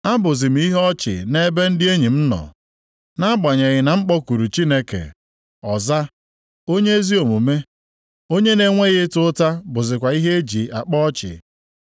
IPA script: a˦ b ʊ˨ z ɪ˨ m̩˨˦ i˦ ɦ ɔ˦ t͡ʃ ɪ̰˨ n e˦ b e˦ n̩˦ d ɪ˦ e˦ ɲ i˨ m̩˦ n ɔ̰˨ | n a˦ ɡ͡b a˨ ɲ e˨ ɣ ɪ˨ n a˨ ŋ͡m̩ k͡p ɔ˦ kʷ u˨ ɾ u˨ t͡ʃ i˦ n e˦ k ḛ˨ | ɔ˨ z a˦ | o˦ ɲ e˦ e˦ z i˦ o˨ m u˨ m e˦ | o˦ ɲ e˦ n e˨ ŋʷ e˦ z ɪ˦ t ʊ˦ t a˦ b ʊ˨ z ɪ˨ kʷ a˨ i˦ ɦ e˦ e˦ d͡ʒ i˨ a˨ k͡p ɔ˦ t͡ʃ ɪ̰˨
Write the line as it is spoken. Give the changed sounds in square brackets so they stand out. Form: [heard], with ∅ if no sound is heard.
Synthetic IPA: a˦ b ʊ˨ z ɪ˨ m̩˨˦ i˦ ɦ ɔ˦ t͡ʃ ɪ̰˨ n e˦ b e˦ n̩˦ d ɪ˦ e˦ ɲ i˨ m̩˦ n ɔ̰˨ | n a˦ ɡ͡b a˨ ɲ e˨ ɣ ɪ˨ n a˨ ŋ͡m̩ k͡p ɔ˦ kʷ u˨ ɾ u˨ t͡ʃ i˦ n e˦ k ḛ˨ | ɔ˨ z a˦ | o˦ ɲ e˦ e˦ z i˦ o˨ m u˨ m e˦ | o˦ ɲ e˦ n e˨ ŋʷ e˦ [ɣ] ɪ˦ t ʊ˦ t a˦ b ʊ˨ z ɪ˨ kʷ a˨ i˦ ɦ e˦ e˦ d͡ʒ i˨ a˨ k͡p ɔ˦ t͡ʃ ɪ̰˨